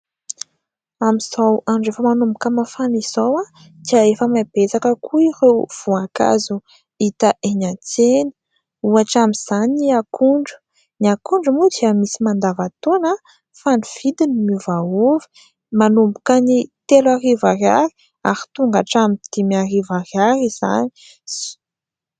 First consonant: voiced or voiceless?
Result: voiced